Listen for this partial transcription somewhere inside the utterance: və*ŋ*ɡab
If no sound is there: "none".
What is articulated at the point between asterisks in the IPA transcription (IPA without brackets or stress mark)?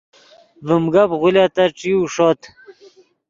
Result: m